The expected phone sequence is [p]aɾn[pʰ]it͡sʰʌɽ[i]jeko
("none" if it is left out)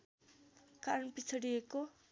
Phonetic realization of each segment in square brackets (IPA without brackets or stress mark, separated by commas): k, p, i